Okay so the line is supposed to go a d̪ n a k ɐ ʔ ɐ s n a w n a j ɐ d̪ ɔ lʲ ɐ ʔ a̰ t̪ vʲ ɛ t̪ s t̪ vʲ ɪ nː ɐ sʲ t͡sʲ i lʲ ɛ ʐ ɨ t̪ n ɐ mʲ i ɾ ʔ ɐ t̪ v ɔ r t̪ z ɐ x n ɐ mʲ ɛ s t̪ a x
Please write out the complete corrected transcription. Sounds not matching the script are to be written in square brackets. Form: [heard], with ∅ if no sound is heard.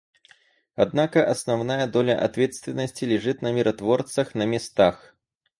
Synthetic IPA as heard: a d̪ n a k ɐ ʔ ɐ s n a w n a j ɐ d̪ ɔ lʲ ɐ ʔ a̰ t̪ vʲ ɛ t̪ s t̪ vʲ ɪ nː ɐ sʲ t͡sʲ i lʲ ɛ ʐ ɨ t̪ n ɐ mʲ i ɾ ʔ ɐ t̪ v ɔ r t̪ [s] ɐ x n ɐ mʲ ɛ s t̪ a x